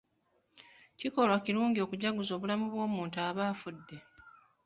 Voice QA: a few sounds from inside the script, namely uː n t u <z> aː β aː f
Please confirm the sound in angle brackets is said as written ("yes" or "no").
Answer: no